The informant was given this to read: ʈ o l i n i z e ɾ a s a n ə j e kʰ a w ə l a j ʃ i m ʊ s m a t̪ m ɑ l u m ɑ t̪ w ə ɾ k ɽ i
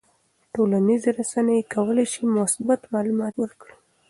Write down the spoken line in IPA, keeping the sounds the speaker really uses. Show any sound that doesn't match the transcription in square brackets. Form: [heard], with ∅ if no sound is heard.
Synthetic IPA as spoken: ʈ o l [a] n i z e ɾ a s a n ə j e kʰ a w ə l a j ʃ i m ʊ s [b] a t̪ m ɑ l u m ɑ t̪ w ə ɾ k ɽ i

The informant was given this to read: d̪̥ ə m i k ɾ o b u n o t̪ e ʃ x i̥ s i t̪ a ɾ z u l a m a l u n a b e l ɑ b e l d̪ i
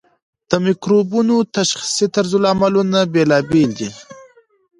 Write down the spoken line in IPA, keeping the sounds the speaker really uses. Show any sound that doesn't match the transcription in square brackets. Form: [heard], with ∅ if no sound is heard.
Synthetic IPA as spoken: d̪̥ ə m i k ɾ o b u n o t̪ [a] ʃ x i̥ s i t̪ a ɾ z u l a m a l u n a b e l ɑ b e l d̪ i

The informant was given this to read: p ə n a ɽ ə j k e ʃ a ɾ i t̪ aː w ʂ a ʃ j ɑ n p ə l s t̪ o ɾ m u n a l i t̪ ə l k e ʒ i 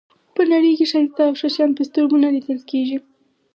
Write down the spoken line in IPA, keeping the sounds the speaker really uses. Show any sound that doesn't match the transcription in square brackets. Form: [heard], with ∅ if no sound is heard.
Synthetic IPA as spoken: p ə n a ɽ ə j k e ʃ a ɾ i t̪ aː w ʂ a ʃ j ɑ n p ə [∅] s t̪ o ɾ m u n a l i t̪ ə l k e ʒ i

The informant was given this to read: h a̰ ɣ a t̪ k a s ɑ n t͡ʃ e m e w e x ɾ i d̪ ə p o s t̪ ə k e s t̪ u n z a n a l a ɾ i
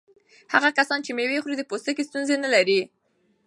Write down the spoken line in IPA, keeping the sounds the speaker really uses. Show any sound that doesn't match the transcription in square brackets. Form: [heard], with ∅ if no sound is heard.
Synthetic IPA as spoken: h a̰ ɣ a [∅] k a s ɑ n t͡ʃ e m e w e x ɾ i d̪ ə p o s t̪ ə k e s t̪ u n z [e] n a l a ɾ i

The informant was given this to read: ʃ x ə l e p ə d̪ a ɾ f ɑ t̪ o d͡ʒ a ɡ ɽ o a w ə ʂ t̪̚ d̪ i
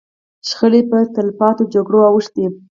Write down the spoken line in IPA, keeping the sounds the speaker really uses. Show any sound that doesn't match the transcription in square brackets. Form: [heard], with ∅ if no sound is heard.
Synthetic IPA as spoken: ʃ x ə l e p ə [t̪] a [l] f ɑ t̪ o d͡ʒ a ɡ ɽ o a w ə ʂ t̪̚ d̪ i

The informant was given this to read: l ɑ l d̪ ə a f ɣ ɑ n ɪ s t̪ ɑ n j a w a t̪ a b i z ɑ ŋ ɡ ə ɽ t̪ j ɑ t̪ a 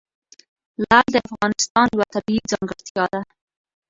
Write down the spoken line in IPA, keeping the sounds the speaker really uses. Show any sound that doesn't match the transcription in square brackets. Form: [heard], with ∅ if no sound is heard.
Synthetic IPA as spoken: l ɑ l d̪ ə a f ɣ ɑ n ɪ s t̪ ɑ n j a w a t̪ a b i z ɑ ŋ ɡ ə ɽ t̪ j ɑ [d̪] a

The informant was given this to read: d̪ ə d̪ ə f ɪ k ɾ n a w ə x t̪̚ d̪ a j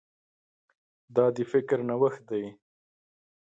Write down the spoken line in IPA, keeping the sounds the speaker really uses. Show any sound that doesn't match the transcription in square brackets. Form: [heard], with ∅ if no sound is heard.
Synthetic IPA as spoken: d̪ [ɑ] d̪ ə f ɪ k ɾ n a w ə x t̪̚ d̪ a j

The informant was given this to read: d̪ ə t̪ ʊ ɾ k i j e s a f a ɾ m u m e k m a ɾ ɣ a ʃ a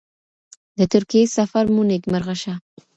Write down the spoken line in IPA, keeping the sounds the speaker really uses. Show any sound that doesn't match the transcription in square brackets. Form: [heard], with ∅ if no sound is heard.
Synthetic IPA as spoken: d̪ ə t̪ ʊ ɾ k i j e s a f a ɾ m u [n] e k m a ɾ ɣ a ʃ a

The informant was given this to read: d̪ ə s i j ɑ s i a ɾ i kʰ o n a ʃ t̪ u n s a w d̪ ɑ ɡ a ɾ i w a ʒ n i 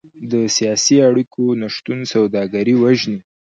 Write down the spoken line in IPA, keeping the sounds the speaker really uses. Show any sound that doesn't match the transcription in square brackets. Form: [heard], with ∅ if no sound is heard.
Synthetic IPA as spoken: d̪ ə s i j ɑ s i a [ɽ] i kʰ o n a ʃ t̪ u n s a w d̪ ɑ ɡ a ɾ i w a ʒ n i

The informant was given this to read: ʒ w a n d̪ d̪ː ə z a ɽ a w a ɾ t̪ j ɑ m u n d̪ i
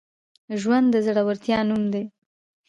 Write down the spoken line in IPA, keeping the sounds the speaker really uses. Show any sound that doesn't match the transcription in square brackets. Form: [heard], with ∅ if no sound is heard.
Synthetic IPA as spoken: ʒ w a n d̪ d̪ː ə z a ɽ a w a ɾ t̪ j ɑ [n] u [m] d̪ [e]

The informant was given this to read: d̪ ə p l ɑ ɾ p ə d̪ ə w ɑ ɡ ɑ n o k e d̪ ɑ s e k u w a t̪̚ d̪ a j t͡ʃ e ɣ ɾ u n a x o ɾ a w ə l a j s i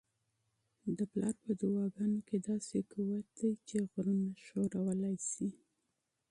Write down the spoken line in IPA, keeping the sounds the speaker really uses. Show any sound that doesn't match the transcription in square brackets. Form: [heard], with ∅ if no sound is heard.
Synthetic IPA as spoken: d̪ ə p l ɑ ɾ p ə d̪ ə w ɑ ɡ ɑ n o k e d̪ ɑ s e k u w a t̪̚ d̪ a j t͡ʃ e ɣ ɾ u n a [ʃ] o ɾ a w ə l a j s i

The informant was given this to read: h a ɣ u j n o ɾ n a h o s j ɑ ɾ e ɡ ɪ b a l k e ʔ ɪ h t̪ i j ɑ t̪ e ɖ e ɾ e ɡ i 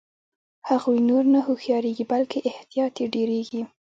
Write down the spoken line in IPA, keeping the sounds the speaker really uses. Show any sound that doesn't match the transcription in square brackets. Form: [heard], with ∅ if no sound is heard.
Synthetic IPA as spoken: h a ɣ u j n o ɾ n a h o [x] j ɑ ɾ e ɡ [i] b a l k e ʔ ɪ h t̪ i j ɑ t̪ e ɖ e ɾ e ɡ i

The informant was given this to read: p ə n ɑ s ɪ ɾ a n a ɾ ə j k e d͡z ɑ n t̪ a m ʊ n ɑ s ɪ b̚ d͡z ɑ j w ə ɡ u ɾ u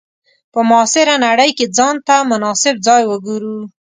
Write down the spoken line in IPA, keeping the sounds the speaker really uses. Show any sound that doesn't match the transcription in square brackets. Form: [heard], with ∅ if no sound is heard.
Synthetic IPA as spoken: p ə [m] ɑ s ɪ ɾ a n a [ɽ] ə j k e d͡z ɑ n t̪ a m ʊ n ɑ s ɪ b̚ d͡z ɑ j w ə ɡ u ɾ u

